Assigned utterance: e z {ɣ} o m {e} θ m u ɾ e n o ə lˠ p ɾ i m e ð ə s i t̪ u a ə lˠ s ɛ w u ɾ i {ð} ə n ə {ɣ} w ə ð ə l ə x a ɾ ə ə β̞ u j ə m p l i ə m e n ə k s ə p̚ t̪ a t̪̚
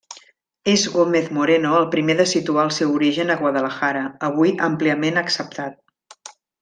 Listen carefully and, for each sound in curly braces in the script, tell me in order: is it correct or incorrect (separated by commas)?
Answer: correct, correct, incorrect, correct